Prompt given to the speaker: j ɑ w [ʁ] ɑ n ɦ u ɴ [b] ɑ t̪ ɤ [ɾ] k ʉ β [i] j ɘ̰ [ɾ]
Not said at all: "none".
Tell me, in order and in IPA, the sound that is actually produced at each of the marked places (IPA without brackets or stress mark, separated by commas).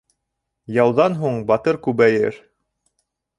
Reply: ð, b, ɾ, æ, ɾ